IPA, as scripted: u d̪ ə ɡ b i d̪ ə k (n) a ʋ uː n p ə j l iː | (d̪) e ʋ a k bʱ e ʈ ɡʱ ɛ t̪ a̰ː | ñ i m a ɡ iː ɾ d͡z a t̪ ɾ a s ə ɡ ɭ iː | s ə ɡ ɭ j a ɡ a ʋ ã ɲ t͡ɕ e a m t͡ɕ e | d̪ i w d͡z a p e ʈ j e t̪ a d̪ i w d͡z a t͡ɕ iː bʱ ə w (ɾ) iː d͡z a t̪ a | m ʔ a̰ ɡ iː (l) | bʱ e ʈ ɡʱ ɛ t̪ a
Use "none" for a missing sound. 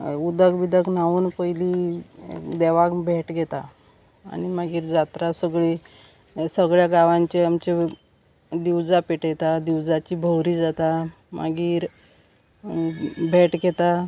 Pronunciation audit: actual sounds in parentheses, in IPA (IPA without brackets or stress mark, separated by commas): n, d̪, ɾ, ɾ